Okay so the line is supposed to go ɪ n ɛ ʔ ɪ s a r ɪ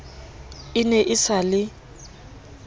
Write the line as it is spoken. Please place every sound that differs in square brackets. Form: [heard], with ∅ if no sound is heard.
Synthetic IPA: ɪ n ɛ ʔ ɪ s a [l] ɪ